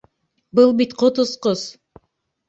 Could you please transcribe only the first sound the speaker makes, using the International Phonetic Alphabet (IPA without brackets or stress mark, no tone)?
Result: b